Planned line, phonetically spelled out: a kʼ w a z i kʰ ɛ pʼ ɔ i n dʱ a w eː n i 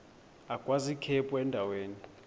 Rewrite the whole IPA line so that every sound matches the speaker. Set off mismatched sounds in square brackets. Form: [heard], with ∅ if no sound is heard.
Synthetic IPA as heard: a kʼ w a z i kʰ ɛ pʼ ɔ [ɛ] n dʱ a w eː n i

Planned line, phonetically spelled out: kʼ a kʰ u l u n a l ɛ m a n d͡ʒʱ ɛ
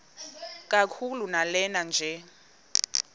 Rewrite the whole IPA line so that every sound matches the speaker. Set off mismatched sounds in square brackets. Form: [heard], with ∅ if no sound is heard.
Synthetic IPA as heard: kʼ a kʰ u l u n a l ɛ [n] a n d͡ʒʱ ɛ

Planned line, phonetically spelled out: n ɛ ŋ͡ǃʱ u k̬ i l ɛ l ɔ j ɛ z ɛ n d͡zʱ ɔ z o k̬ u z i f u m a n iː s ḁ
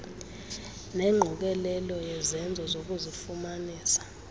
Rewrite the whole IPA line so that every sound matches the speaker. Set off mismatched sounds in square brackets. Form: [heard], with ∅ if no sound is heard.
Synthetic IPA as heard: n ɛ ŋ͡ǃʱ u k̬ [ɛ] l ɛ l ɔ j ɛ z ɛ n d͡zʱ ɔ z o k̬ u z i f u m a n iː s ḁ

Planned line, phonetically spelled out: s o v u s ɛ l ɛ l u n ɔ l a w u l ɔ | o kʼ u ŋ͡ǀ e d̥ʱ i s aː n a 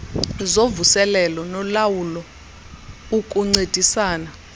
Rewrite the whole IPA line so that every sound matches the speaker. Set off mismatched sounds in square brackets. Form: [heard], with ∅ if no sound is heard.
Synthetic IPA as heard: [z] o v u s ɛ l ɛ l [ɔ] n ɔ l a w u l ɔ | [u] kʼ u ŋ͡ǀ e d̥ʱ i s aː n a

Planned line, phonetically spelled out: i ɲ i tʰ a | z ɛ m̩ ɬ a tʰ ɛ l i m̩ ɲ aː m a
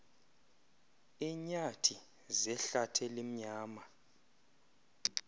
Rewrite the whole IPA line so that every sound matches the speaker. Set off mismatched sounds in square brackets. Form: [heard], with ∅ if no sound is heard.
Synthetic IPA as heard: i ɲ [a] tʰ [i] | z ɛ [∅] ɬ a tʰ ɛ l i m̩ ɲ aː m a

